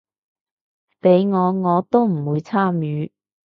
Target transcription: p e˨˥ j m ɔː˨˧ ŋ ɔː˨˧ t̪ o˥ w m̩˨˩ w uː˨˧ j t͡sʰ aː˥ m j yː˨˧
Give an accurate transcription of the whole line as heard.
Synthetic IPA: p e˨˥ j ŋ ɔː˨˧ ŋ ɔː˨˧ t̪ o˥ w m̩˨˩ w uː˨˧ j t͡sʰ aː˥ m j yː˨˧